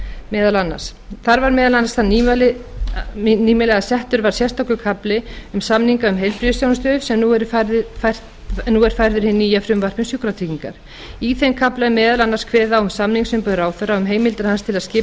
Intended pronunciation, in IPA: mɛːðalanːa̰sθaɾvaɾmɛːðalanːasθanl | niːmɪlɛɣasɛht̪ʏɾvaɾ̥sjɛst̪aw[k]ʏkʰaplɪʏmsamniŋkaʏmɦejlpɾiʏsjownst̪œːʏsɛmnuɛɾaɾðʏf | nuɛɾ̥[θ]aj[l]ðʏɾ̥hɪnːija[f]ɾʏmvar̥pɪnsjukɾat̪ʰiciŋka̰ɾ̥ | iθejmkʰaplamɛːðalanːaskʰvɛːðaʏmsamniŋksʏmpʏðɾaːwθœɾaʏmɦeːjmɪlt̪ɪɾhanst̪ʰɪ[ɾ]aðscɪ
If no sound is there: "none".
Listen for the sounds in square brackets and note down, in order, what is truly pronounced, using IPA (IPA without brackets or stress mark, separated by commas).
k, f, ɾ, f, l